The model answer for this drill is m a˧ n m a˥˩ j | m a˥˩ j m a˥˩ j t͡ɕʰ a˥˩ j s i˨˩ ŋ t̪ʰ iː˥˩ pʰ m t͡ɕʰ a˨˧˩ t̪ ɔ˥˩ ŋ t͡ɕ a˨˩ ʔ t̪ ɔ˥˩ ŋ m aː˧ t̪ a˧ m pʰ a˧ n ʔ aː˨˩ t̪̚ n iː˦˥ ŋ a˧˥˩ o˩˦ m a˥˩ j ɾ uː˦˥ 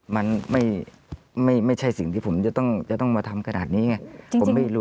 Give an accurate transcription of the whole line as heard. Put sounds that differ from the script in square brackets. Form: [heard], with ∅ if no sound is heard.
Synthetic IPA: m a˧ n m a˥˩ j | m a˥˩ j m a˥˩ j t͡ɕʰ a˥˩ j s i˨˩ ŋ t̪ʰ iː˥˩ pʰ m [t͡ɕ] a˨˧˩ t̪ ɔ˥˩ ŋ t͡ɕ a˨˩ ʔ t̪ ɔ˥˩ ŋ m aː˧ [t̪ʰ] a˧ m [kʰ] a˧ n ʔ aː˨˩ t̪̚ n iː˦˥ ŋ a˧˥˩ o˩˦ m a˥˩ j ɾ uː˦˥